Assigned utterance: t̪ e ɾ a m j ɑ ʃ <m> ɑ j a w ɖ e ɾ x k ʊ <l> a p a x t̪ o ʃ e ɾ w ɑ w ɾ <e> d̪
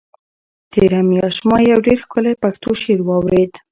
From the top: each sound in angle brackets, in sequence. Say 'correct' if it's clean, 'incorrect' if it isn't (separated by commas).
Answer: correct, correct, correct